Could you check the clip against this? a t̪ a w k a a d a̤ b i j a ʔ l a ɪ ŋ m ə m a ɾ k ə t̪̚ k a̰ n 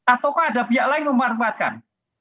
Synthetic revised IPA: a t̪ a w k a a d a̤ b i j a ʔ l a ɪ ŋ m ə m a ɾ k a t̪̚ k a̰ n